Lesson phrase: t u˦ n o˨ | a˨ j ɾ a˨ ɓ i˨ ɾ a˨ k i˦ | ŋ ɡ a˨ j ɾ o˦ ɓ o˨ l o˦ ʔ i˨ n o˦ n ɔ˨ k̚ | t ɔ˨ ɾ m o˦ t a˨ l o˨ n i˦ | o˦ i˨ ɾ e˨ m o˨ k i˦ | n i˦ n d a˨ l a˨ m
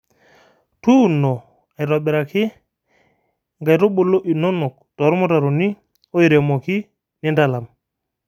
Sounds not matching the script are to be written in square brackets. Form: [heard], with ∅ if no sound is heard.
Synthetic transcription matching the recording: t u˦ n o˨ | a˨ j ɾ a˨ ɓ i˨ ɾ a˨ k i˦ | ŋ ɡ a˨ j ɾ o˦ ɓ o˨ l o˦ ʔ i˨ n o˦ n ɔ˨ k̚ | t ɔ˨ ɾ m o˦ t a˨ [ɾ] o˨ n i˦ | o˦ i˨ ɾ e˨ m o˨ k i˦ | n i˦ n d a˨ l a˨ m

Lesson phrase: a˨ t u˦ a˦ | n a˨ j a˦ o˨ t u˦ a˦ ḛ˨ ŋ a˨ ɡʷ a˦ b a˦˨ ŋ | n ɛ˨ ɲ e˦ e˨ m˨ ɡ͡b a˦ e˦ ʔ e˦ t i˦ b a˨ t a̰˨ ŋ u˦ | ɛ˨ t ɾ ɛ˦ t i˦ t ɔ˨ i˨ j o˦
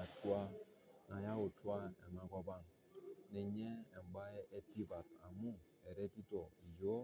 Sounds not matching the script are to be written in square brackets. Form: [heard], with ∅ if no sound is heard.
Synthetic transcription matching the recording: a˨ t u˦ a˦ | n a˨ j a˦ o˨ t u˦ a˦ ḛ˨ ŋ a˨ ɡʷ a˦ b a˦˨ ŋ | n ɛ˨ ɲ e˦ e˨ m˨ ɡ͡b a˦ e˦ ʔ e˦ t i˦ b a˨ t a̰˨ [m] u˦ | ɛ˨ [∅] ɾ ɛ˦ t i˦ t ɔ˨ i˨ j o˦

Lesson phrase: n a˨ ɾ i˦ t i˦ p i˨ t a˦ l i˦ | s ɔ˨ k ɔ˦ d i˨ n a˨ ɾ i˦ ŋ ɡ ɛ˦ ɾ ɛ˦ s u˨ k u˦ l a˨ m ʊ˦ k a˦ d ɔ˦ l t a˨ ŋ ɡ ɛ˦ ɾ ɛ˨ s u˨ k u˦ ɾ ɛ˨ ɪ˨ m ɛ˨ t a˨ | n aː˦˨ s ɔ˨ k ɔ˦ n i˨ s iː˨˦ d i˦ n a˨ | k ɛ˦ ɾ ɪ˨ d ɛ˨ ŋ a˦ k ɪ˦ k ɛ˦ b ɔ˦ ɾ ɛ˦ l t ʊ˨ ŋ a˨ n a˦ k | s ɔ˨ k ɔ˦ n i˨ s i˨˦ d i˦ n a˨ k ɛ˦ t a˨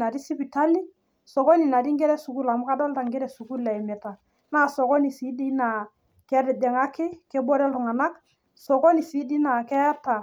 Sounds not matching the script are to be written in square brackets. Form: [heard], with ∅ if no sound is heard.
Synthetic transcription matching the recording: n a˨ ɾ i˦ [s] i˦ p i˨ t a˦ l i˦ | s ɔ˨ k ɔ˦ [n] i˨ n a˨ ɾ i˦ ŋ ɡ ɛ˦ ɾ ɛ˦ s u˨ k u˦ l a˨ m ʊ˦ k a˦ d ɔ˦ l t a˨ ŋ ɡ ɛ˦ ɾ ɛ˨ s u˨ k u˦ [l] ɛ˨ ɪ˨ m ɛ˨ t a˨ | n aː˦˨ s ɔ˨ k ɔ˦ n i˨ s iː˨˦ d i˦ n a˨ | k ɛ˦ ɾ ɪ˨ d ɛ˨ ŋ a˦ k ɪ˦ k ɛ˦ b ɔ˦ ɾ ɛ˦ l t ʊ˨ ŋ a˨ n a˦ k | s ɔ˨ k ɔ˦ n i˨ s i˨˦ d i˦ n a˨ k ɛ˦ t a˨

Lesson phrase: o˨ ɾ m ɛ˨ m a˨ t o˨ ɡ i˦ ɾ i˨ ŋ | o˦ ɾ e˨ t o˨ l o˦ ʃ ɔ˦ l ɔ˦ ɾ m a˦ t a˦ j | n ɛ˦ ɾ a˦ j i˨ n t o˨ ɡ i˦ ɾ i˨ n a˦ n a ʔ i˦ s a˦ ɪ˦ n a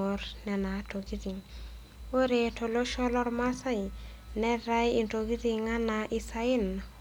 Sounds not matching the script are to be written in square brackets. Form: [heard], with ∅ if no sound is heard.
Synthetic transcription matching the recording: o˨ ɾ [n] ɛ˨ [n] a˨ t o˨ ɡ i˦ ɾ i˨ ŋ | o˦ ɾ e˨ t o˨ l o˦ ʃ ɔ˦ l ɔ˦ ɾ m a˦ [s] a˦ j | n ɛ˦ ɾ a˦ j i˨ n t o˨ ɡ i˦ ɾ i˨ [ŋ] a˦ n a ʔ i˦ s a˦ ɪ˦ n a

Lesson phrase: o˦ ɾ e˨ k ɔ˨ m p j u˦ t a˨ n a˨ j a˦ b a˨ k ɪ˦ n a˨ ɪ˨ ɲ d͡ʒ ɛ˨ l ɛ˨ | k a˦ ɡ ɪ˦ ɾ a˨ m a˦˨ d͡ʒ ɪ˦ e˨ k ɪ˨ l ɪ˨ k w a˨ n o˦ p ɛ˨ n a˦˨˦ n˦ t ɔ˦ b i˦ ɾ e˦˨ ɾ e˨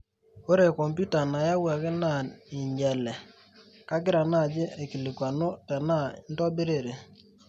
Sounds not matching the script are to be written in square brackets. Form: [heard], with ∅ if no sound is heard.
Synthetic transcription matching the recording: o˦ ɾ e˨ k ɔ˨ m p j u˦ t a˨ n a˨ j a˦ [w] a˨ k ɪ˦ n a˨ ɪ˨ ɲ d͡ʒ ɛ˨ l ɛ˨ | k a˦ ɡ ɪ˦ ɾ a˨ [n] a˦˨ d͡ʒ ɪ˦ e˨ k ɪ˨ l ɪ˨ k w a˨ n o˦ [t] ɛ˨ n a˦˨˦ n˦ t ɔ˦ b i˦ ɾ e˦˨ ɾ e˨

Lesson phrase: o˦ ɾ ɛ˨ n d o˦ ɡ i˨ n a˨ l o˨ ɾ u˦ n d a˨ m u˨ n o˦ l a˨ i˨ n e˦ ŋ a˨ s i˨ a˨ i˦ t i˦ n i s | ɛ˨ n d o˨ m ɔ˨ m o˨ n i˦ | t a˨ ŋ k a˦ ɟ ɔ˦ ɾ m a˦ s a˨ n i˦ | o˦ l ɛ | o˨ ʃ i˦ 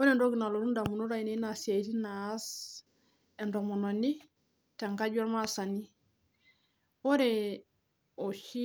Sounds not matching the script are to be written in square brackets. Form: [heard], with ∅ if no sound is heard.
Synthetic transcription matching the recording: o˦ ɾ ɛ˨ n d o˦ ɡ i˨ n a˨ l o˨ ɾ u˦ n d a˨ m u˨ n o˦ [ɾ] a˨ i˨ n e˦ [n] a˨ s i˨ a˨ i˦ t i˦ n [a] s | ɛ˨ n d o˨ m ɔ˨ [n] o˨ n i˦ | t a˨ ŋ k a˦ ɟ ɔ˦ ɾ m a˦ s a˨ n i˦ | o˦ [ɾ] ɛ | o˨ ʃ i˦

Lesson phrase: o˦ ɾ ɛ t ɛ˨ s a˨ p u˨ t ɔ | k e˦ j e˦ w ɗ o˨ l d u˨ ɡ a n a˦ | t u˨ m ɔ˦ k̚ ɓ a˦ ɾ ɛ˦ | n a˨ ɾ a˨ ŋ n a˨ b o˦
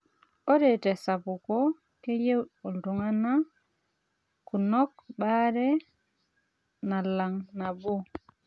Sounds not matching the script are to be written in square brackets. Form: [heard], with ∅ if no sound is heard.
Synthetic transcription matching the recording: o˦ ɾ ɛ t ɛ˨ s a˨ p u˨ [k] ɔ | k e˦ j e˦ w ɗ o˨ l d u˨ [ŋ] a n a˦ | [k] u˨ [n] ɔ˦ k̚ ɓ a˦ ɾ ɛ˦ | n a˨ [l] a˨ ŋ n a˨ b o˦

